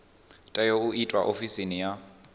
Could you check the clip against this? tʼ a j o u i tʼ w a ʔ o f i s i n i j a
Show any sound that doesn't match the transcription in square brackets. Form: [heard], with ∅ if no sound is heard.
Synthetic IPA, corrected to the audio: tʼ a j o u i tʼ w a ʔ o f i s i n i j a